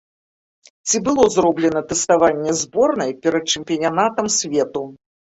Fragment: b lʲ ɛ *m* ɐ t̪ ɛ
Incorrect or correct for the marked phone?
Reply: incorrect: n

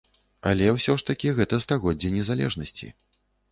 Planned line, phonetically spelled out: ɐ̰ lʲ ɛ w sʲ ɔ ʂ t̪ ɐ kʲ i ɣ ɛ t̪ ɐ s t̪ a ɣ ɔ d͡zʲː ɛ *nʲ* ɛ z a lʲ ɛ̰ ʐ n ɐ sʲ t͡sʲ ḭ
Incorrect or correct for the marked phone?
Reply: correct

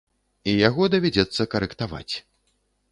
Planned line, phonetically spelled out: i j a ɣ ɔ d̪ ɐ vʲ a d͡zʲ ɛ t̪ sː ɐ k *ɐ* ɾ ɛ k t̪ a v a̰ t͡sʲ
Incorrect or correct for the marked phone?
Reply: correct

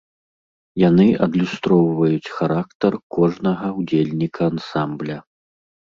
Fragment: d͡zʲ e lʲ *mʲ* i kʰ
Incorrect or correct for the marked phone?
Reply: incorrect: nʲ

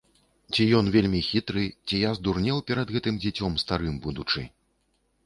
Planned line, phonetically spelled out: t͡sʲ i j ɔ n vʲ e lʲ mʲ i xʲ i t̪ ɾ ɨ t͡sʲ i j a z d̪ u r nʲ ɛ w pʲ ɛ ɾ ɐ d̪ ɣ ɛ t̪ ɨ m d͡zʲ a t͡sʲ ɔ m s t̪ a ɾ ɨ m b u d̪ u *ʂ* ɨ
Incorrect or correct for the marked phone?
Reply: incorrect: t͡ʂ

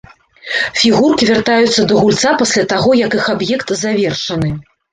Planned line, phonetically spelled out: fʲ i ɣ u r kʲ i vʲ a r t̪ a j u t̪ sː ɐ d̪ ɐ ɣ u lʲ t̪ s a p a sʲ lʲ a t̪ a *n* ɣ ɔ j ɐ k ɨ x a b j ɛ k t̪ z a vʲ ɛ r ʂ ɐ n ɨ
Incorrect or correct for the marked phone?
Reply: incorrect: none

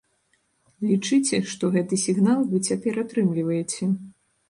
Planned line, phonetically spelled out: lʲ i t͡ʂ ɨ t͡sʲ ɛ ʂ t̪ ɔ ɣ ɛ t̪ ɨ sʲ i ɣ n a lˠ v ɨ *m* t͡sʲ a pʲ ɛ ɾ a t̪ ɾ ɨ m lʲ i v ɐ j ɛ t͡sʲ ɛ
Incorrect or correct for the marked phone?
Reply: incorrect: none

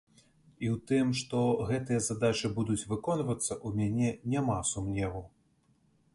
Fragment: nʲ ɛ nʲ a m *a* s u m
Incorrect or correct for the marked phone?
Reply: correct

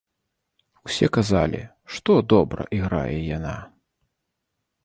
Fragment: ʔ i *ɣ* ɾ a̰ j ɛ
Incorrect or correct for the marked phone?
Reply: correct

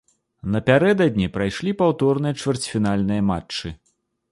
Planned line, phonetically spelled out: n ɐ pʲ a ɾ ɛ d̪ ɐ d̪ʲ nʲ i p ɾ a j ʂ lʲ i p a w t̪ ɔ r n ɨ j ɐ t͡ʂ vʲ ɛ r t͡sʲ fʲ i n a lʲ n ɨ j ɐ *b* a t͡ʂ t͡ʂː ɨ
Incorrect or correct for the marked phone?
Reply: incorrect: m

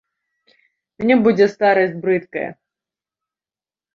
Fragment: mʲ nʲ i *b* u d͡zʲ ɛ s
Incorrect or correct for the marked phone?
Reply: correct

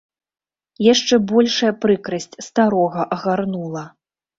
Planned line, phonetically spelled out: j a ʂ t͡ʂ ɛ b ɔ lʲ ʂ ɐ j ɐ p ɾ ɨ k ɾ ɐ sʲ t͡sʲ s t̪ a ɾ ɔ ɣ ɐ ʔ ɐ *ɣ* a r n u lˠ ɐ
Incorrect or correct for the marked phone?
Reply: correct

